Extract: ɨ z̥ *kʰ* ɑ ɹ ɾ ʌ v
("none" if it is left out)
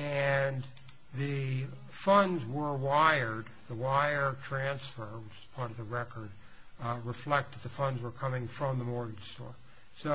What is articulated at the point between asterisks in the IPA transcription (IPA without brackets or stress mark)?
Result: pʰ